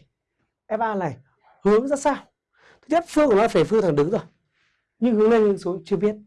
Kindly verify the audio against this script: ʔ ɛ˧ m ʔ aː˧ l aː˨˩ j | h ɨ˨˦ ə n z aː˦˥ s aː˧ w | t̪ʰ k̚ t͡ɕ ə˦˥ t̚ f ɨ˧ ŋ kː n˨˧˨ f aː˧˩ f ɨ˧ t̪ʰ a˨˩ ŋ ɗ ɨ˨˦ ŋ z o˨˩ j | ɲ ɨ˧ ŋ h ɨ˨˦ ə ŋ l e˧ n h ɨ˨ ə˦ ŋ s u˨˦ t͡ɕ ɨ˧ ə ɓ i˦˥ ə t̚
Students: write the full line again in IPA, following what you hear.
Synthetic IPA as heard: ʔ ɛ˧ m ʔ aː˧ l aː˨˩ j | h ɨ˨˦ ə ŋ z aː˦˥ s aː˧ w | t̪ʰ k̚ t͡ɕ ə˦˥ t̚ f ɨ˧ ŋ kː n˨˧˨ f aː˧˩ f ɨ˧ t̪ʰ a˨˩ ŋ ɗ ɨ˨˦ ŋ z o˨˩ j | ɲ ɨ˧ ŋ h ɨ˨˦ ə ŋ l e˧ n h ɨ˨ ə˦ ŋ s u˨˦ t͡ɕ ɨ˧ ə ɓ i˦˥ ə t̚